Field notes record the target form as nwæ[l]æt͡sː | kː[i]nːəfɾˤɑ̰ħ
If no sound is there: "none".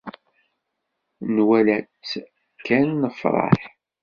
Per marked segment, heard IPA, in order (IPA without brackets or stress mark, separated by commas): l, æ